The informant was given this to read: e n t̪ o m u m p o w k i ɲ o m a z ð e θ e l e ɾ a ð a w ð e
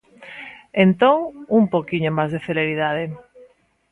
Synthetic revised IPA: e n t̪ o ŋ u m p o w k i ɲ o m a z ð e θ e l e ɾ i ð a ð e